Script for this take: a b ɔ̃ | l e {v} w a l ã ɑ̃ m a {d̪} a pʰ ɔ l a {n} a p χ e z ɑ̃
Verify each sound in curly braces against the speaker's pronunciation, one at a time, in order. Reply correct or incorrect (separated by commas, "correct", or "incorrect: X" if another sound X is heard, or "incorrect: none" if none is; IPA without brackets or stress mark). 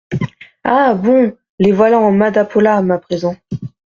correct, correct, incorrect: m